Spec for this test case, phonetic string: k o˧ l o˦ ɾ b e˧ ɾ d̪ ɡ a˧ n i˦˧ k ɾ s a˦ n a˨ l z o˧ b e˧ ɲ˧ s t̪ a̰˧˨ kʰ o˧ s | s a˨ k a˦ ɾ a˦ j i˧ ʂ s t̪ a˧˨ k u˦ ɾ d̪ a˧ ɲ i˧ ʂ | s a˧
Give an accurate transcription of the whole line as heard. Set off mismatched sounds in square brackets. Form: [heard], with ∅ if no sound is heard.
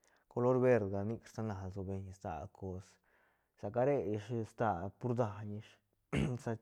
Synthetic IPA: k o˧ l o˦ ɾ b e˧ ɾ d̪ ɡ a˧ n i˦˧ k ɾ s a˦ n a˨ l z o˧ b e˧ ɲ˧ s t̪ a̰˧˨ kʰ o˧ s | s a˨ k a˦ ɾ [e˦] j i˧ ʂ s t̪ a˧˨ [p] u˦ ɾ d̪ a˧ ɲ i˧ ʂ | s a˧